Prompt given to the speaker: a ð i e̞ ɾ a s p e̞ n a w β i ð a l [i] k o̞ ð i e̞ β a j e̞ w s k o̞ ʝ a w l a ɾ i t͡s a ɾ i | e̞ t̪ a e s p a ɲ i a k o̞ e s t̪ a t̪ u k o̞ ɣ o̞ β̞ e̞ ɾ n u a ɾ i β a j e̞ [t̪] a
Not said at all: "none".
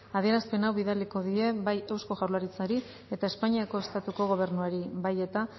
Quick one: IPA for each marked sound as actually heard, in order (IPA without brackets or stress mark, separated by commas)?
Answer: i, t̪